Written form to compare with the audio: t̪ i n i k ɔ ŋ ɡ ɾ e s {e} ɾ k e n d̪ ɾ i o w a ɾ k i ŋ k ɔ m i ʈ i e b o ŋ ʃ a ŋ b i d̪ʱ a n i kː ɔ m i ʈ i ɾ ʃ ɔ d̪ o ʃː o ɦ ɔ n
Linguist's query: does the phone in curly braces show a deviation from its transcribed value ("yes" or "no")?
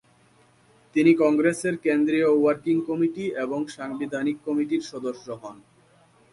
no